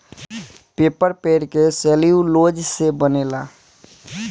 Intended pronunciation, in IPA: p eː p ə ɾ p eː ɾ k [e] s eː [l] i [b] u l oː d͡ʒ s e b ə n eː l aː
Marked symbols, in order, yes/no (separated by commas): yes, yes, no